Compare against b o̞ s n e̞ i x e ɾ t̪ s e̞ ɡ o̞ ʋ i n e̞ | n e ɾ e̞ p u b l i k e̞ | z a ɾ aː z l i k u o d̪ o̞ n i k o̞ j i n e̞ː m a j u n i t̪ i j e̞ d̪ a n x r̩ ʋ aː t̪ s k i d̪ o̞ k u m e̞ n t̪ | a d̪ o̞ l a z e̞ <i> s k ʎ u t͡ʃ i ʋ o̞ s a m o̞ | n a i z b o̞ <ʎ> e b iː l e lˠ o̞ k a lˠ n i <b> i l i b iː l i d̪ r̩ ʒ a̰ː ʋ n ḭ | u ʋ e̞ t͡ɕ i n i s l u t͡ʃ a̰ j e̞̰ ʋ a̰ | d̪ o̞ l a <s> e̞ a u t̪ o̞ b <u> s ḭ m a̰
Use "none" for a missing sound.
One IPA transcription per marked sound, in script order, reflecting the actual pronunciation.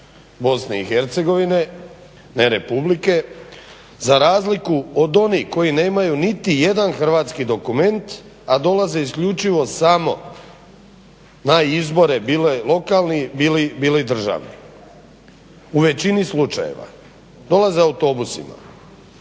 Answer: i, ɾ, b, z, u

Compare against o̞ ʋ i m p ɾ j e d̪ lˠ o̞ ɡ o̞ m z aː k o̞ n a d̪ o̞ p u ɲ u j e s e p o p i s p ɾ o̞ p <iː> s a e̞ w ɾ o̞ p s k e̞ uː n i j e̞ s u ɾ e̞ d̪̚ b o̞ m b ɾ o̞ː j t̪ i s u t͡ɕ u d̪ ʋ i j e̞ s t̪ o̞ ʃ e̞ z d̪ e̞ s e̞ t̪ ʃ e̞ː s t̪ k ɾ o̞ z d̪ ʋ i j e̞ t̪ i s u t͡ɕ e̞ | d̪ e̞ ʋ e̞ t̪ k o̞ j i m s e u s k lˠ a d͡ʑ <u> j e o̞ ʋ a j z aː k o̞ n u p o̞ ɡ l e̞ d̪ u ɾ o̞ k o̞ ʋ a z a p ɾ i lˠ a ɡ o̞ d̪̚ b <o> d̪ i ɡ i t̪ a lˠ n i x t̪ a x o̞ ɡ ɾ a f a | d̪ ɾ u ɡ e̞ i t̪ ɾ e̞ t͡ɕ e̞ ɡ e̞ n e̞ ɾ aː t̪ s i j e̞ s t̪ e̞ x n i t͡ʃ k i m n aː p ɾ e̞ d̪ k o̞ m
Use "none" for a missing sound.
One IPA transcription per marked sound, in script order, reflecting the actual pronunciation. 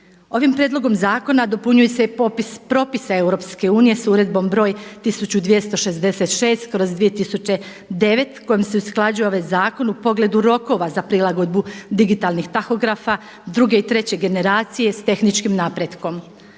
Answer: i, u, u

